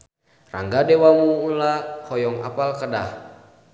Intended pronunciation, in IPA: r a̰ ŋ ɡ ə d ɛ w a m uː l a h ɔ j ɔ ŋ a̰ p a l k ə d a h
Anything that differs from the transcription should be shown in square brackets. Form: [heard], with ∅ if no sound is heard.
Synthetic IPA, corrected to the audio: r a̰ ŋ ɡ [a] d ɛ w a m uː l a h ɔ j ɔ ŋ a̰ p a l k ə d a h